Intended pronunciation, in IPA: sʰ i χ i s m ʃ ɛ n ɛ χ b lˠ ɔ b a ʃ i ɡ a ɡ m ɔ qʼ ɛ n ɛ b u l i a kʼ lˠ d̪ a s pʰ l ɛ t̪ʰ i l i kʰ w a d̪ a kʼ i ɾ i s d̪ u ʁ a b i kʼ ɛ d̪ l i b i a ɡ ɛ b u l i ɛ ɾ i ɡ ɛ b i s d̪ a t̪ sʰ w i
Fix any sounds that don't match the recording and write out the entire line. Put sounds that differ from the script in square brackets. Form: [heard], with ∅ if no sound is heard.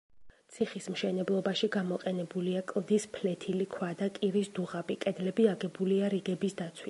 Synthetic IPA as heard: sʰ i χ i s m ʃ ɛ n ɛ [∅] b lˠ ɔ b a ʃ i ɡ a [∅] m ɔ qʼ ɛ n ɛ b u l i a kʼ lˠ d̪ [i] s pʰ l ɛ t̪ʰ i l i kʰ w a d̪ a kʼ i ɾ i s d̪ u ʁ a b i kʼ ɛ d̪ l [ɛ] b i a ɡ ɛ b u l i [a] ɾ i ɡ ɛ b i s d̪ a t̪ sʰ w i